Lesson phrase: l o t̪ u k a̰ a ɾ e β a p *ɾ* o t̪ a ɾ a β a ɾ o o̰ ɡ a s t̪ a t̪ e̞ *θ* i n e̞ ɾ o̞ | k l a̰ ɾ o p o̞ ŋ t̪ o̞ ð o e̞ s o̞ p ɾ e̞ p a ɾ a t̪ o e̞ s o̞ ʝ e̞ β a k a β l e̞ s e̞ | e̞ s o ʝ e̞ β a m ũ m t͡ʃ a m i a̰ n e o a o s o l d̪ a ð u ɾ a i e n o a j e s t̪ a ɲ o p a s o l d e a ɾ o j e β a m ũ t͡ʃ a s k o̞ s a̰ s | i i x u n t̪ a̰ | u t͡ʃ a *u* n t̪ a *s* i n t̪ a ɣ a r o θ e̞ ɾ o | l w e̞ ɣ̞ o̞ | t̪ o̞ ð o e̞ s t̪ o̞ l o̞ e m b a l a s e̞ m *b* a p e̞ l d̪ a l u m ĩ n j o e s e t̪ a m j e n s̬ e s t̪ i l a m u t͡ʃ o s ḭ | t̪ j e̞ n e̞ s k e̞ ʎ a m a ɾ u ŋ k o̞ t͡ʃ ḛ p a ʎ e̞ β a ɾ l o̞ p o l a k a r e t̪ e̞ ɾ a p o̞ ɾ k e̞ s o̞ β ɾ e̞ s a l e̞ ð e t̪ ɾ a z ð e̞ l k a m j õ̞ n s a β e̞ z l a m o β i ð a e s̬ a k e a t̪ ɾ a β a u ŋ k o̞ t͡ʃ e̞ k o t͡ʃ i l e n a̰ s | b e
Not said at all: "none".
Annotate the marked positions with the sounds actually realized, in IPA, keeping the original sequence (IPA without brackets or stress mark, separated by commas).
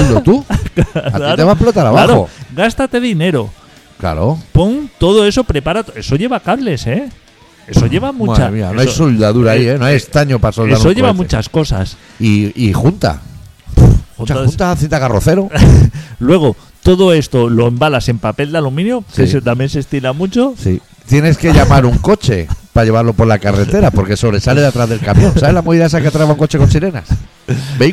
l, ð, u, θ, p